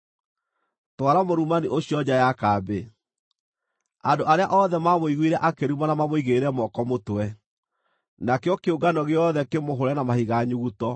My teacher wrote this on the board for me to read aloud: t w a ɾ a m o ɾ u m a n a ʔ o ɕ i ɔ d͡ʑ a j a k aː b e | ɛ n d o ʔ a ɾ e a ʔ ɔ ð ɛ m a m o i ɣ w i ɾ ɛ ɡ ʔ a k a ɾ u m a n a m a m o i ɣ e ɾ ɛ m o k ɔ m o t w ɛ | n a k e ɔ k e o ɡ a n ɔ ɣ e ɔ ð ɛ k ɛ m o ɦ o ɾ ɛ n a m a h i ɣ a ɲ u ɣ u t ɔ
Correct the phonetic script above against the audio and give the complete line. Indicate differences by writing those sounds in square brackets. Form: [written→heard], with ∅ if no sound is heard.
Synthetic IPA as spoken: t w a ɾ a m o ɾ u m a n [a→i] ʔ o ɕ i ɔ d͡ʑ a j a k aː b e | [ɛ→a] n d o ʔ a ɾ e a ʔ ɔ ð ɛ m a m o i ɣ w i ɾ ɛ [ɡ→∅] ʔ a k [a→e] ɾ u m a n a m a m o i ɣ e ɾ ɛ m [o→ɔ] k ɔ m o t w ɛ | n a k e ɔ k e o ɡ a n ɔ ɣ e ɔ ð ɛ k [ɛ→e] m o ɦ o ɾ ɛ n a m a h i ɣ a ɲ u ɣ u t ɔ